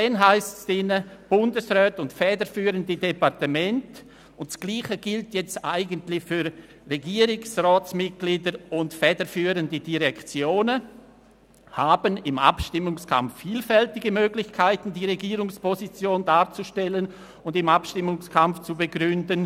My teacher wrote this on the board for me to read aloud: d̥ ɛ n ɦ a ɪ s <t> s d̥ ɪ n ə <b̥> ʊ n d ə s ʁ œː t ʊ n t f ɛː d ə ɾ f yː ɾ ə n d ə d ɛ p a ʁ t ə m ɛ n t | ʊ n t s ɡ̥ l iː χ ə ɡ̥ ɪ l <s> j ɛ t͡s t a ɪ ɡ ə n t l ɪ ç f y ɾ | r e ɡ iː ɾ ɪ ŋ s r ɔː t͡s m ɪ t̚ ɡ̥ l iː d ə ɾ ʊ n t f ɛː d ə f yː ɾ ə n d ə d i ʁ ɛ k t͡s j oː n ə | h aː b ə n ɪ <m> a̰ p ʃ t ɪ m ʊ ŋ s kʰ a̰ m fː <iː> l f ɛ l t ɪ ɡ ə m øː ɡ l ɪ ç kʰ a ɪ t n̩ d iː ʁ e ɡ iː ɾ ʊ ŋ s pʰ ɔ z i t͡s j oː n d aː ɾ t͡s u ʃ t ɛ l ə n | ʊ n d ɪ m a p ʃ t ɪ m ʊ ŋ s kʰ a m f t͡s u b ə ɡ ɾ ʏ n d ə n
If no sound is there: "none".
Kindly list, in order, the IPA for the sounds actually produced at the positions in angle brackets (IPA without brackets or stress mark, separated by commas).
t, b̥, t, m, iː